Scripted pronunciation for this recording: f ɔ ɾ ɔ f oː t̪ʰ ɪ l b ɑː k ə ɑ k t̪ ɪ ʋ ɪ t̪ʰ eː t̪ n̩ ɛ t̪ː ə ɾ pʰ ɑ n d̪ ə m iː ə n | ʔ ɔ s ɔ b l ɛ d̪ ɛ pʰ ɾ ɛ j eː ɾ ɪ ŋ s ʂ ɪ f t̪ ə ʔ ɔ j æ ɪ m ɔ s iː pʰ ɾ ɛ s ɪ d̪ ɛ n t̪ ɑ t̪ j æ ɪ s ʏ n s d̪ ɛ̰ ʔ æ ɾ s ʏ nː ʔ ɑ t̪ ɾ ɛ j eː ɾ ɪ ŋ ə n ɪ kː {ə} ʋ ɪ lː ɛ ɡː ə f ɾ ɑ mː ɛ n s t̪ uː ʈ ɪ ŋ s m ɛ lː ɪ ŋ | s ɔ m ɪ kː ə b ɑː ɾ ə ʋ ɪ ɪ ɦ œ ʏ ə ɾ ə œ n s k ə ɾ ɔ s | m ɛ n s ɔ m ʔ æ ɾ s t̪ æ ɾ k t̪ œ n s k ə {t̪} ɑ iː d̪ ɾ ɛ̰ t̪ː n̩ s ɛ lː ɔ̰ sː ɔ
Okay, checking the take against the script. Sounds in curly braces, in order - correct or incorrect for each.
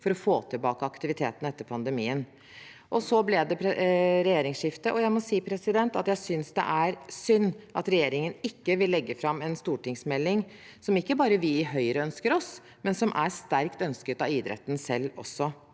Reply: correct, correct

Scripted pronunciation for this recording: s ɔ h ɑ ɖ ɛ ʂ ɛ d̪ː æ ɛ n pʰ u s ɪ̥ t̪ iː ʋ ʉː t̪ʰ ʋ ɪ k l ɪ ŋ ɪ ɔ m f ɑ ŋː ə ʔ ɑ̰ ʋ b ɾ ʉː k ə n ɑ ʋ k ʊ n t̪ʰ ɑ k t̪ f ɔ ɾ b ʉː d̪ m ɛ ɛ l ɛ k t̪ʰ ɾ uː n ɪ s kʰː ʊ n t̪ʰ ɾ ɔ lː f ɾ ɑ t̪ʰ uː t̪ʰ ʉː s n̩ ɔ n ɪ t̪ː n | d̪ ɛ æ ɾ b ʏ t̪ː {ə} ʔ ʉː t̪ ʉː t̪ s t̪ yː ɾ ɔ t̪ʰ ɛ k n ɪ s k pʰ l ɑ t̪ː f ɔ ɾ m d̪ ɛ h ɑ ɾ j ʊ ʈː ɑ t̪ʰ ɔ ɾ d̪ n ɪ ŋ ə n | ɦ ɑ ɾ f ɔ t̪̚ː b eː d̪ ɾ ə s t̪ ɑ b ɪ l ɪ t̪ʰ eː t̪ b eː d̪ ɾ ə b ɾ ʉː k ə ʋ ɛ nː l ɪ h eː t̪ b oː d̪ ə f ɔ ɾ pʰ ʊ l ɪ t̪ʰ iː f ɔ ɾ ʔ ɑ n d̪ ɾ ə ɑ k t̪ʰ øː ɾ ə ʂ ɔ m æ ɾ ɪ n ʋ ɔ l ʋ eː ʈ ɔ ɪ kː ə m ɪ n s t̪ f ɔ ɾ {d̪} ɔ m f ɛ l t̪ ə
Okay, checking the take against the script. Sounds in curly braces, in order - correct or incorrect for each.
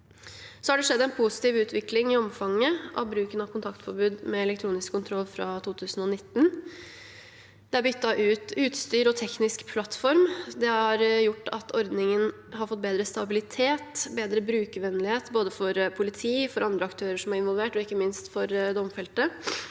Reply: incorrect, correct

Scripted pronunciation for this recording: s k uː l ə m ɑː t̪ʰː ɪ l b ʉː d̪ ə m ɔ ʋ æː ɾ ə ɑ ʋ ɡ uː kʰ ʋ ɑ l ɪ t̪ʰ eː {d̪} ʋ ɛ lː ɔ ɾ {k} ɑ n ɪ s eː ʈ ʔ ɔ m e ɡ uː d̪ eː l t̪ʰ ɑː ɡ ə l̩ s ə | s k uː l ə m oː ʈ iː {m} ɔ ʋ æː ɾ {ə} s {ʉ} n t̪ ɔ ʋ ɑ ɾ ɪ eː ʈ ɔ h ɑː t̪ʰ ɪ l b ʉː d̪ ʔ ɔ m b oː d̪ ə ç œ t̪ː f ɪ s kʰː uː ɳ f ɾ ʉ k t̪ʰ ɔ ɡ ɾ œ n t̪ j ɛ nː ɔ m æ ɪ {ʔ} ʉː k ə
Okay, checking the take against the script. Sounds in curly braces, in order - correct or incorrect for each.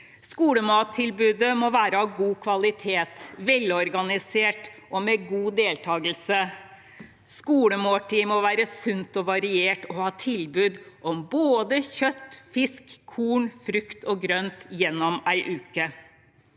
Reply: incorrect, incorrect, correct, correct, correct, correct

